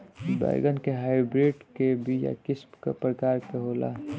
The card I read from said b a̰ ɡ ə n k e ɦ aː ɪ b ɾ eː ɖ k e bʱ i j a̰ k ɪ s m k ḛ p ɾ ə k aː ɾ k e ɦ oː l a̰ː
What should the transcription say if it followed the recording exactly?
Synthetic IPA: b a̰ ɡ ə n k e ɦ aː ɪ b ɾ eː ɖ k e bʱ i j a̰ k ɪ s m k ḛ p ɾ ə k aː ɾ k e ɦ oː l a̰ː